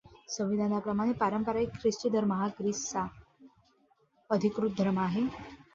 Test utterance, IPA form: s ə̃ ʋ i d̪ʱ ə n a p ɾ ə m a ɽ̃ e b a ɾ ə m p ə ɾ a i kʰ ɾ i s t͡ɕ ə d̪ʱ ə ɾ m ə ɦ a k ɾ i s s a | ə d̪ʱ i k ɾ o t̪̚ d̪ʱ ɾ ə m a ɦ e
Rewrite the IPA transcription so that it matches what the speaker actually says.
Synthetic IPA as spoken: s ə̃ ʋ i d̪ʱ a n a p ɾ ə m a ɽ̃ e p a ɾ ə m p ə ɾ a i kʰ ɾ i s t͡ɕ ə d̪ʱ ə ɾ m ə ɦ a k ɾ i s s a | ə d̪ʱ i k ɾ u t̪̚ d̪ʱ ɾ ə m a ɦ e